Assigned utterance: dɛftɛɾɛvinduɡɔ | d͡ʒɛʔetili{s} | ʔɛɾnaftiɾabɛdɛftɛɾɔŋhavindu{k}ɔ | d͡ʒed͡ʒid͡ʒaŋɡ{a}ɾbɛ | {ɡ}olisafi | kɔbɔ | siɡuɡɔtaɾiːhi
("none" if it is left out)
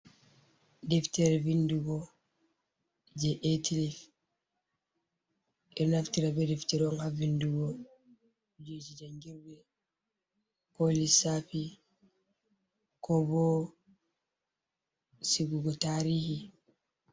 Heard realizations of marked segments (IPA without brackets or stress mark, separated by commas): f, ɡ, i, k